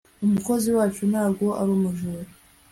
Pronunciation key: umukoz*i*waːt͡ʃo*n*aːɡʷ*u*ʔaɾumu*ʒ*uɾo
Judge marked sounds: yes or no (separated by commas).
yes, yes, no, yes